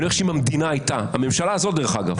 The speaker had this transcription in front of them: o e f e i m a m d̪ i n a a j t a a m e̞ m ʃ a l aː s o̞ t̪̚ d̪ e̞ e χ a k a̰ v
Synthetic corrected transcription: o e ʃ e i m a m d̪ i n a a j t a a m e̞ m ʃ a l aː z o̞ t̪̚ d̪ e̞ e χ a ɡ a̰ v